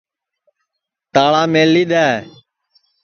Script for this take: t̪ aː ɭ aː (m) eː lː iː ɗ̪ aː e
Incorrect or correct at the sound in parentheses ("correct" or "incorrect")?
correct